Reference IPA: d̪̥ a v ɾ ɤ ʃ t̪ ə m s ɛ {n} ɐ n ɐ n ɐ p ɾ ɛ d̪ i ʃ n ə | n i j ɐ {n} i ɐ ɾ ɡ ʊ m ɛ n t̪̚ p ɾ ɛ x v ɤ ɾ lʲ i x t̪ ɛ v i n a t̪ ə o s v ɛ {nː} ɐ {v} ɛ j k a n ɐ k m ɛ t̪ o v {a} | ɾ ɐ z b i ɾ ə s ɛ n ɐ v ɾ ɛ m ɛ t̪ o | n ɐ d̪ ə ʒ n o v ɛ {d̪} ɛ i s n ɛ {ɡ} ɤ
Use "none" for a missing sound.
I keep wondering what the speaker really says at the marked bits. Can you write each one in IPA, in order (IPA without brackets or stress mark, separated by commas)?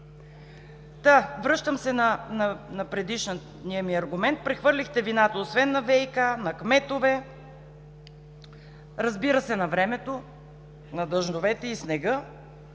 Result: n, m, nː, v, ɛ, t̪, ɡ